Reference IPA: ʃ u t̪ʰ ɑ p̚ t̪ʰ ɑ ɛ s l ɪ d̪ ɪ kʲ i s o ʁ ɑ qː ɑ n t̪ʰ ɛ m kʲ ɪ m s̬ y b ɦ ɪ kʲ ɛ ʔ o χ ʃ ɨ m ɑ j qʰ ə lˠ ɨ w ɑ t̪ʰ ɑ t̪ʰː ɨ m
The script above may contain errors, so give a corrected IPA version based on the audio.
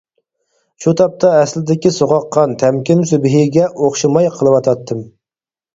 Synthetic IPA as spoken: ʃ u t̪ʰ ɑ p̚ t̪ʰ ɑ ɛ s l ɪ d̪ ɪ kʲ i s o ʁ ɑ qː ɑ n t̪ʰ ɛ m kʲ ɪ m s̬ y b ɦ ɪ ɡʲ ɛ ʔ o χ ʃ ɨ m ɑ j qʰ ə lˠ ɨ w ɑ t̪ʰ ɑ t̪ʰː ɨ m